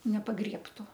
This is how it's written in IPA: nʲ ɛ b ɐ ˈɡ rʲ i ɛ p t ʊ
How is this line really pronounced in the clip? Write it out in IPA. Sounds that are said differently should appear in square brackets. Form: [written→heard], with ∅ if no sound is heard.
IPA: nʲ ɛ [b→p] ɐ ˈɡ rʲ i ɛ p t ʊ